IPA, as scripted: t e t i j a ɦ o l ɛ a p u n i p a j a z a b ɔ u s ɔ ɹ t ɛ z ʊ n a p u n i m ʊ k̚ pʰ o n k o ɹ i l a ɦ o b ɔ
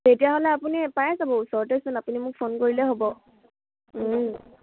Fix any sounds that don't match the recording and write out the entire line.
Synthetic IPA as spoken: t e t i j a ɦ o l ɛ a p u n i p a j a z a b ɔ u s ɔ ɹ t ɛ s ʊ n a p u n i m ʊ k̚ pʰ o n k o ɹ i l ɛ ɦ o b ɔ